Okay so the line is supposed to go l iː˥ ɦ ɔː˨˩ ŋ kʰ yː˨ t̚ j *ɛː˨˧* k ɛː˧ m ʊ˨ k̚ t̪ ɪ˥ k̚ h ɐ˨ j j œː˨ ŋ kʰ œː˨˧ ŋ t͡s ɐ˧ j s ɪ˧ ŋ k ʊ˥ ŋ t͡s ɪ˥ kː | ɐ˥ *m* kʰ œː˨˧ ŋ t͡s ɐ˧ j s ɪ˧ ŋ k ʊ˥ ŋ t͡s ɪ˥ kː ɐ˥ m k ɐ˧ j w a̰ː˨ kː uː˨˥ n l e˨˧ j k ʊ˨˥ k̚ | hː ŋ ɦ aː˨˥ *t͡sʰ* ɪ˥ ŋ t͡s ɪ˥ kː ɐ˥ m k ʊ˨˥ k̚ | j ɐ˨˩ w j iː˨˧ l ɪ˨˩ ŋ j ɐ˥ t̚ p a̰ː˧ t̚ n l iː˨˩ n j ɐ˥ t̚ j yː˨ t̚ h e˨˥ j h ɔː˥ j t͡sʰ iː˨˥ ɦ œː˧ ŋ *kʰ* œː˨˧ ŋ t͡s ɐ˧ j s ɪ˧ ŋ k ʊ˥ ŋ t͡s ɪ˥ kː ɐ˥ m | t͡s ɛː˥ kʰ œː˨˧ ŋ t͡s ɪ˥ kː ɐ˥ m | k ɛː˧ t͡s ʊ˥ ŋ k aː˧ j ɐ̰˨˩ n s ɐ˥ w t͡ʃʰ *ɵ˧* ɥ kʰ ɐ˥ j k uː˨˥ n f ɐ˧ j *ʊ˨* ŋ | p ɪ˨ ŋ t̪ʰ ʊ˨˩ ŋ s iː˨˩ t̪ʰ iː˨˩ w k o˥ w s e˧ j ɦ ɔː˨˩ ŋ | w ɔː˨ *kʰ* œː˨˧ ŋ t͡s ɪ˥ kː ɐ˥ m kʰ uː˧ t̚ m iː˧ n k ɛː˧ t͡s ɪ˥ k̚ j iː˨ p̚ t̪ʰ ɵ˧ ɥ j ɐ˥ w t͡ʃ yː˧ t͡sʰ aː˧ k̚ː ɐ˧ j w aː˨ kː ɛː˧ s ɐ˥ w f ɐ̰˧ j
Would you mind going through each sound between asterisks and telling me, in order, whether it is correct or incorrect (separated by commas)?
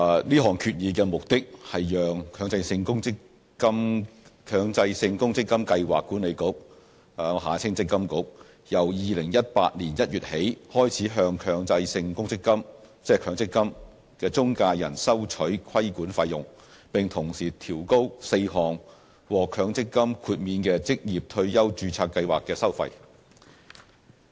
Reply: incorrect, correct, correct, correct, incorrect, correct, correct